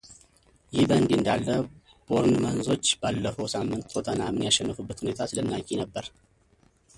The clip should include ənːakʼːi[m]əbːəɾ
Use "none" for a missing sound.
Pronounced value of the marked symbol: n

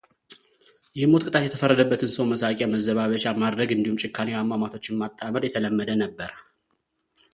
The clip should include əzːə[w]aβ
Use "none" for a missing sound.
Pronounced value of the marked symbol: β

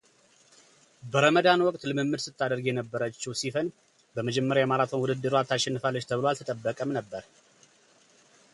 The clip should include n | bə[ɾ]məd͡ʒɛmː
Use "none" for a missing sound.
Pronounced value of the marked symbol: none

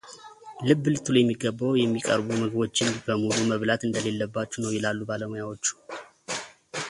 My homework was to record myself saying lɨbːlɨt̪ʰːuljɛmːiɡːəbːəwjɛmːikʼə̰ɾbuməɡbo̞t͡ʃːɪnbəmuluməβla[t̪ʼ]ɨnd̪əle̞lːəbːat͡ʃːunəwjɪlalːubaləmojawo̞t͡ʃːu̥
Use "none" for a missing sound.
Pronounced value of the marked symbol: t̪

